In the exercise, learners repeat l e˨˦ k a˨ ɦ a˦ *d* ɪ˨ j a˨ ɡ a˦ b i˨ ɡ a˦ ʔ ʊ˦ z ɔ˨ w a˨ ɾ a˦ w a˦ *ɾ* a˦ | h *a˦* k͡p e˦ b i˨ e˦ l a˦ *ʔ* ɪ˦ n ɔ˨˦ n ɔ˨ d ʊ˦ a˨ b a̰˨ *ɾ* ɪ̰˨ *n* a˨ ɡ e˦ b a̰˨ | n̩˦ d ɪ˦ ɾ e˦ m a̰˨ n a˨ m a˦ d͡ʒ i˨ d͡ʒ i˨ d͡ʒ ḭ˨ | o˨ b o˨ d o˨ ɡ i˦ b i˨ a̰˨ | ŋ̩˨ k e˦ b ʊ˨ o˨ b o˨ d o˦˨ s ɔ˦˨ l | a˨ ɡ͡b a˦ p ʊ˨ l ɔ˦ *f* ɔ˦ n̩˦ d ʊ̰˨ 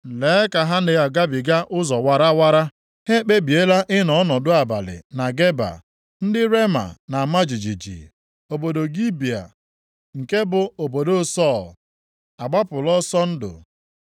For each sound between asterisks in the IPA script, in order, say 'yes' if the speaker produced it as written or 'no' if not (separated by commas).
no, yes, no, yes, no, yes, no